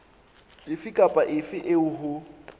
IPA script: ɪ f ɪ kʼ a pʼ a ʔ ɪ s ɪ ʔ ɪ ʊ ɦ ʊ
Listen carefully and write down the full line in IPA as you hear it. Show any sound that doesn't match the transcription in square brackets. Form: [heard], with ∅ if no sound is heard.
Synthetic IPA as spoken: ɪ f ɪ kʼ a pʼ a ʔ ɪ [f] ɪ ʔ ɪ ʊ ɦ ʊ